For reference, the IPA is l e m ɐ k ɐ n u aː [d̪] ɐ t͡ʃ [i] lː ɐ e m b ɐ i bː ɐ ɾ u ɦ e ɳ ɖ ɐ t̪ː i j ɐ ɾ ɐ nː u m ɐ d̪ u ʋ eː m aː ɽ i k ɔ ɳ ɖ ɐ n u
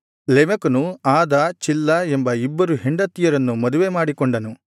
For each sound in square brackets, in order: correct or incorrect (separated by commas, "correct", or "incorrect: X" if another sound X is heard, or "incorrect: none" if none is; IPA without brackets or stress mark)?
correct, correct